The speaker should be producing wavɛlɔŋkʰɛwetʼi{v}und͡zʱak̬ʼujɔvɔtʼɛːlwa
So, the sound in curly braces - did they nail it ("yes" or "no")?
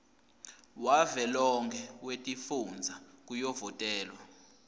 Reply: no